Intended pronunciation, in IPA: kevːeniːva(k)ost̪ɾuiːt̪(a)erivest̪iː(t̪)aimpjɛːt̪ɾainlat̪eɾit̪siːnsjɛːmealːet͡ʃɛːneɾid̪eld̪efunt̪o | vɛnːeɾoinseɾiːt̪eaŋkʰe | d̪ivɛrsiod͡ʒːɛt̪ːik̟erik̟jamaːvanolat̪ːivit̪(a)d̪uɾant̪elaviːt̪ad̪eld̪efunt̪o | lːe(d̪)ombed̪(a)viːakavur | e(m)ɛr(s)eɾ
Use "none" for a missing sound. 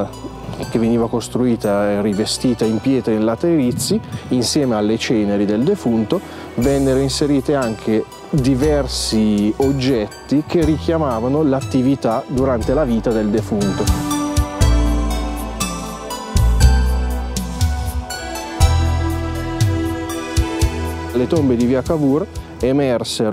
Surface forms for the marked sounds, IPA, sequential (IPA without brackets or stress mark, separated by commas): k, a, t̪, a, t̪, i, m, s